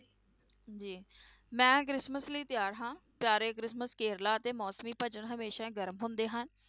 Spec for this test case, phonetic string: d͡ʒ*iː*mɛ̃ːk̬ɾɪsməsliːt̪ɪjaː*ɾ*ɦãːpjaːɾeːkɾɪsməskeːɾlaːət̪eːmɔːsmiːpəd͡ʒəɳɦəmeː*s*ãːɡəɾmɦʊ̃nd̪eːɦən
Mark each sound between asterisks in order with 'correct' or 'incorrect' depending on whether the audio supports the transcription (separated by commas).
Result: correct, correct, incorrect